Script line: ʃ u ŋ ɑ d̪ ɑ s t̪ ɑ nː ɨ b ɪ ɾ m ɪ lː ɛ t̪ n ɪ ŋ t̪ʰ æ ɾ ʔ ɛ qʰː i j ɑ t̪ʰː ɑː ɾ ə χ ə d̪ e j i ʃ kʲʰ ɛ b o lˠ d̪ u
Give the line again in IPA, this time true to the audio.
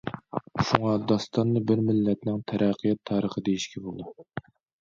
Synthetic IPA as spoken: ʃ u ŋ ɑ d̪ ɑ s t̪ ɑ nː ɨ b ɪ ɾ m ɪ lː ɛ t̪ n ɪ ŋ t̪ʰ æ ɾ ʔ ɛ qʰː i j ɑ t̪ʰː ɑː ɾ ə χ ə d̪ e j i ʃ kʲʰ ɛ b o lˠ d̪ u

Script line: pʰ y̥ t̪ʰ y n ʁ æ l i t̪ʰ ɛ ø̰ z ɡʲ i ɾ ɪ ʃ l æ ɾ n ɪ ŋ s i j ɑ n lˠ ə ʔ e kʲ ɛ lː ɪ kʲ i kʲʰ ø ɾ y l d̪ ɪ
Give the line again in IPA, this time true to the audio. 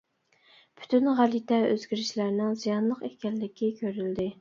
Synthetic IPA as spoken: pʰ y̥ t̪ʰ y n ʁ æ l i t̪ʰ ɛ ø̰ z ɡʲ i ɾ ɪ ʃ l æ ɾ n ɪ ŋ z i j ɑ n lˠ ə q e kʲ ɛ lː ɪ kʲ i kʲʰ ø ɾ y l d̪ ɪ

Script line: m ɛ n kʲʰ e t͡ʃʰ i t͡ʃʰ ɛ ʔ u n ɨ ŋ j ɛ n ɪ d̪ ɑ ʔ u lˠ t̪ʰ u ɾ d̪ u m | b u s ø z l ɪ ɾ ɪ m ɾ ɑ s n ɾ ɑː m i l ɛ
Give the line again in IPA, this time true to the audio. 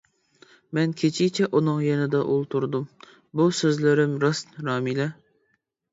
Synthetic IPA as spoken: m ɛ n kʲʰ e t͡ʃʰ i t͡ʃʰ ɛ ʔ u n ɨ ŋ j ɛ n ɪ d̪ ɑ ʔ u lˠ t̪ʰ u ɾ d̪ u m | b u s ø z l ɪ ɾ ɪ m ɾ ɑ s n ɾ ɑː m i l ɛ

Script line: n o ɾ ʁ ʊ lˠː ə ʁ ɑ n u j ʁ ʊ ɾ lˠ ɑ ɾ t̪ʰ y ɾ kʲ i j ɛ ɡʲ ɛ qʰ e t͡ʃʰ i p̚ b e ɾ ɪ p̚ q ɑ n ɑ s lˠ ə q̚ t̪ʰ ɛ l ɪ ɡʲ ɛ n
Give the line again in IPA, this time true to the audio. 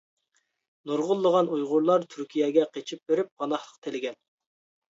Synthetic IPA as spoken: n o ɾ ʁ ʊ lˠː ə ʁ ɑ n u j ʁ ʊ ɾ lˠ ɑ ɾ t̪ʰ y ɾ kʲ i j ɛ ɡʲ ɛ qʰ e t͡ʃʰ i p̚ b e ɾ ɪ p̚ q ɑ n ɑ χ lˠ ə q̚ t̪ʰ e l ɪ ɡʲ ɛ n

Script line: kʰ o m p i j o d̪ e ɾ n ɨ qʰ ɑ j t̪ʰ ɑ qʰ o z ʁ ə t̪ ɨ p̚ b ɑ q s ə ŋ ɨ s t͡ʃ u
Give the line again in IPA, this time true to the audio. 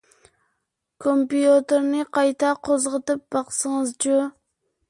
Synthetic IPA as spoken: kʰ o m p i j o t̪ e ɾ n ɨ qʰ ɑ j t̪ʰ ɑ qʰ o z ʁ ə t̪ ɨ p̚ b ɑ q s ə ŋ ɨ z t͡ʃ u

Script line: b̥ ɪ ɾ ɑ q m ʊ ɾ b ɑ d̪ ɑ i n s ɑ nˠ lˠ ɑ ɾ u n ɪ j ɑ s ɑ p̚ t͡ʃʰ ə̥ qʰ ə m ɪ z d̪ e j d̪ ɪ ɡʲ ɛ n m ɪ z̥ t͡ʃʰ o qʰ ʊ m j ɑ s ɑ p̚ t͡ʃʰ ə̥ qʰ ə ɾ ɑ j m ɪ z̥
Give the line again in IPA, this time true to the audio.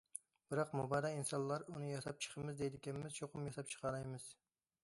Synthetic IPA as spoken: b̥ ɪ ɾ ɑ q m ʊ b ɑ d̪ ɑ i n s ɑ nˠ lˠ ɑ ɾ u n ɪ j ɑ s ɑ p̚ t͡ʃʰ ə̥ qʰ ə m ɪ z d̪ e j d̪ ɪ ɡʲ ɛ n m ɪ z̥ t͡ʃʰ o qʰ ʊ m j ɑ s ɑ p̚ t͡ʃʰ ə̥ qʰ ɑ ɾ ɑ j m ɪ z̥

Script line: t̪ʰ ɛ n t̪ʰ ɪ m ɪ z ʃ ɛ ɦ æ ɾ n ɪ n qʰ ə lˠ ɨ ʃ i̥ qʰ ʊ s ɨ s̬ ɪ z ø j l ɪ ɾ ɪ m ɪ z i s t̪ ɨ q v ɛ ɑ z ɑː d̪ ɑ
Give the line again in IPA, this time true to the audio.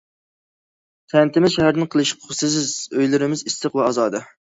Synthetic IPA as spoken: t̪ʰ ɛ n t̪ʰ ɪ m ɪ z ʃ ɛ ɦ æ ɾ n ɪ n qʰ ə lˠ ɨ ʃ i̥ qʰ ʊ s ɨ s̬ ɪ z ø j l ɪ ɾ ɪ m ɪ z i s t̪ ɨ q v ɛ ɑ z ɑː d̪ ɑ

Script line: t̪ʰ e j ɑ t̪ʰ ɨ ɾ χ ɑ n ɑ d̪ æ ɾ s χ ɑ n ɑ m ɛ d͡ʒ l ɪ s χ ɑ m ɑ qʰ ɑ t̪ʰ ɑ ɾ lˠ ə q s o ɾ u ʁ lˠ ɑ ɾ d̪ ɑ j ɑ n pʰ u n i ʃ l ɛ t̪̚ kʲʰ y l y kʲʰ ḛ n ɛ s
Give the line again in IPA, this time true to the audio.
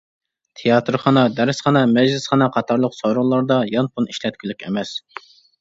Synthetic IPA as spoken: t̪ʰ e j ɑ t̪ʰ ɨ ɾ χ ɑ n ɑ d̪ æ ɾ s χ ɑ n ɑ m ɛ d͡ʒ l ɪ s χ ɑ n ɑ qʰ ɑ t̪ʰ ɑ ɾ lˠ ə q s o ɾ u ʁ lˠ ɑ ɾ d̪ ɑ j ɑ n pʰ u n i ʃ l ɛ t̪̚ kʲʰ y l y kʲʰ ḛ m ɛ s

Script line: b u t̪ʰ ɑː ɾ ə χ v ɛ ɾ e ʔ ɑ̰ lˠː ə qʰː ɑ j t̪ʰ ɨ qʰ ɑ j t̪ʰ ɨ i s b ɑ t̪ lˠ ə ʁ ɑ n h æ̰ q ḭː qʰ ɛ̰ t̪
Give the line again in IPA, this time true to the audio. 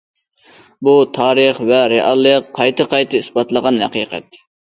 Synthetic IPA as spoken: b u t̪ʰ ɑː ɾ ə χ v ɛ ɾ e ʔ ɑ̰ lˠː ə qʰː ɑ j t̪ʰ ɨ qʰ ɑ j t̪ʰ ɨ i s b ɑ t̪ lˠ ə ʁ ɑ n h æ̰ q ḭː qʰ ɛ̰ t̪

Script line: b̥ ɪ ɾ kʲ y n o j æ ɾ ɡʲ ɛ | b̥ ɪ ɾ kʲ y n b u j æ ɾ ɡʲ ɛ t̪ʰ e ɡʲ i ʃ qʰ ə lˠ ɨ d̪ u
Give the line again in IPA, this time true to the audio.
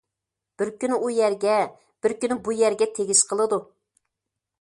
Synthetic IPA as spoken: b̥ ɪ ɾ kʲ y n u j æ ɾ ɡʲ ɛ | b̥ ɪ ɾ kʲ y n b u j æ ɾ ɡʲ ɛ t̪ʰ e ɡʲ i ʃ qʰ ə lˠ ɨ d̪ u

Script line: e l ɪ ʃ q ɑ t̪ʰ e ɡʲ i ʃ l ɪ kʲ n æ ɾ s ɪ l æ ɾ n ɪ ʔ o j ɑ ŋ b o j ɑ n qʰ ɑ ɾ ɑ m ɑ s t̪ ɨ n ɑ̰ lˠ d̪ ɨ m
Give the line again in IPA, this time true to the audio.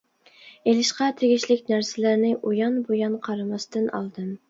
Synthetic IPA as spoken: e l ɪ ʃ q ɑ t̪ʰ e ɡʲ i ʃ l ɪ kʲ n æ ɾ s ɪ l æ ɾ n ɪ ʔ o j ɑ n b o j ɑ n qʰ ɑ ɾ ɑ m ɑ s t̪ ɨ n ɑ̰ lˠ d̪ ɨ m

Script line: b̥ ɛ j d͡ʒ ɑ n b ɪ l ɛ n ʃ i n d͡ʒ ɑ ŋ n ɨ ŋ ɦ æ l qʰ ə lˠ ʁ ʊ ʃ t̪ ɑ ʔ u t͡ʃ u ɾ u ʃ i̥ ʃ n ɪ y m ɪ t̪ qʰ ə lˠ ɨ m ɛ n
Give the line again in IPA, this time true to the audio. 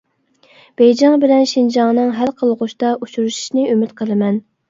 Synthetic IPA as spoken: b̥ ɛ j d͡ʒ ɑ ŋ b ɪ l ɛ n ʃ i n d͡ʒ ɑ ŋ n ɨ ŋ ɦ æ l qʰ ə lˠ ʁ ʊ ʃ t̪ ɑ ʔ u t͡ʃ u ɾ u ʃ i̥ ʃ n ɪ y m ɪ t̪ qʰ ə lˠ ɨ m ɛ n

